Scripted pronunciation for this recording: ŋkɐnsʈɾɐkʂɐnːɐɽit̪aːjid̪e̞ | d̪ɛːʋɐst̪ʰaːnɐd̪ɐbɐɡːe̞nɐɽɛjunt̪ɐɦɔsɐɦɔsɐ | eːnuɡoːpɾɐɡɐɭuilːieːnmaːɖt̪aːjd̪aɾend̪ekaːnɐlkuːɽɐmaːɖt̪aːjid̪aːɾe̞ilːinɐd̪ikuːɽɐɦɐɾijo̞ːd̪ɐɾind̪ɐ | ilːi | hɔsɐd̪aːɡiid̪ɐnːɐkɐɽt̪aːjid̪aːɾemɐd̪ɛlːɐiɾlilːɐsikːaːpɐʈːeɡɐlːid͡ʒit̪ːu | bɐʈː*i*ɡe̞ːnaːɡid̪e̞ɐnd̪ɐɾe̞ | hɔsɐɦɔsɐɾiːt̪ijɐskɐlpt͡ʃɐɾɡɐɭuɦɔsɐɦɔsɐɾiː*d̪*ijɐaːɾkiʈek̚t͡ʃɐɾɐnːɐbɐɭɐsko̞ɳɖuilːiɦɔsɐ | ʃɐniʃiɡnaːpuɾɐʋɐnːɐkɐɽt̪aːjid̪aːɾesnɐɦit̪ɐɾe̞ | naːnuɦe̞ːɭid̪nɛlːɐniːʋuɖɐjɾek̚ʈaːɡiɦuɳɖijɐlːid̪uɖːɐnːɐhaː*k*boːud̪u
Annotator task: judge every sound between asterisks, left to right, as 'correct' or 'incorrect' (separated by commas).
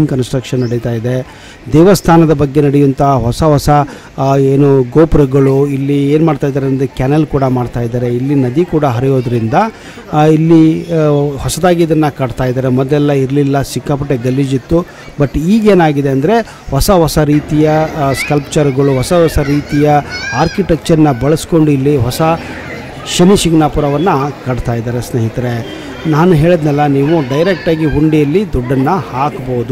incorrect, incorrect, correct